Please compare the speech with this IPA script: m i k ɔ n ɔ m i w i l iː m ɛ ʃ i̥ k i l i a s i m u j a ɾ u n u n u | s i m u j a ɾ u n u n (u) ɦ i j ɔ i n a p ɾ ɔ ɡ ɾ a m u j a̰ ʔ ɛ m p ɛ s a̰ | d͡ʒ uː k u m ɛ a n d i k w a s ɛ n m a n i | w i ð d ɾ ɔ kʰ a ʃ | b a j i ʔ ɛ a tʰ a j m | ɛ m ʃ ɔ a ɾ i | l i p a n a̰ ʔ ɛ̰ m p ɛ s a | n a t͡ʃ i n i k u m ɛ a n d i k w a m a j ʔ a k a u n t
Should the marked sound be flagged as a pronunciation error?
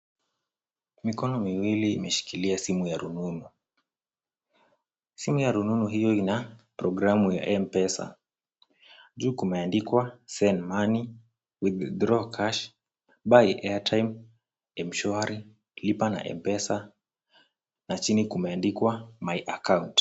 no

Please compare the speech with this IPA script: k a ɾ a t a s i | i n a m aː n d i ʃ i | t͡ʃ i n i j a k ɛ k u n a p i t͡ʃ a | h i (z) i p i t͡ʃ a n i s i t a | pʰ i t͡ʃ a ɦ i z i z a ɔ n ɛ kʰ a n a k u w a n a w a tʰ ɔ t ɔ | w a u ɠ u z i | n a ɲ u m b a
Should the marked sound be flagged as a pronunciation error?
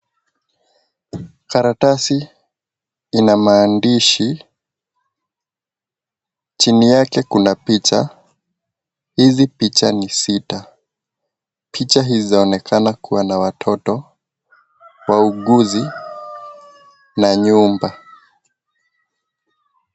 no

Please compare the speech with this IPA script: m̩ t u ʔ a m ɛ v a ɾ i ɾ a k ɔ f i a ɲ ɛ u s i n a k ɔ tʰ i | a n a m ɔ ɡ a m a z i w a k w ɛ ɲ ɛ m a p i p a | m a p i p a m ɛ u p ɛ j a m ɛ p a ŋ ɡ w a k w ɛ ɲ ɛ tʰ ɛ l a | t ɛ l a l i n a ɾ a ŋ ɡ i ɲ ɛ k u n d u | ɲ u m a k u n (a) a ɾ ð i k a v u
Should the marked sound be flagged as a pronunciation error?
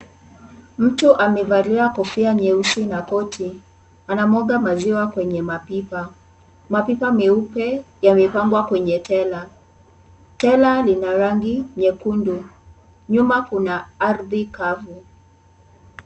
no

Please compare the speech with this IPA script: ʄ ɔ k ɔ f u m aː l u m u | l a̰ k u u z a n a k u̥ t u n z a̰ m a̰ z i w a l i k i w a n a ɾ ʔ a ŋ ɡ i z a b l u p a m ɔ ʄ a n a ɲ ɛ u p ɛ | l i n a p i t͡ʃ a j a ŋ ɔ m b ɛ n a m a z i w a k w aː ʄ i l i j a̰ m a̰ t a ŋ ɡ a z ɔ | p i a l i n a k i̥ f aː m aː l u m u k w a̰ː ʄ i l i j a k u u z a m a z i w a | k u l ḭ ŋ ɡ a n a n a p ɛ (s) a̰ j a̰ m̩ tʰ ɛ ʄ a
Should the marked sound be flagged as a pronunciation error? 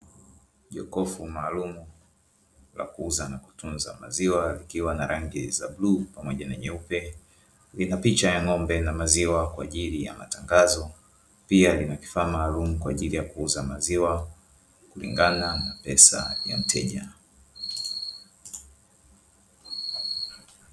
no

